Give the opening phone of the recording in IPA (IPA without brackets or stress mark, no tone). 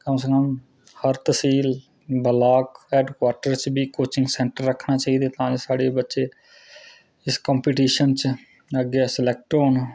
k